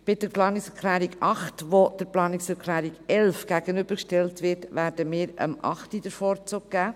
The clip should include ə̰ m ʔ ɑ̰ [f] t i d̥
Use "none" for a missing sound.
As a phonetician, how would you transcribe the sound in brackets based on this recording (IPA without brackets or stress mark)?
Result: χ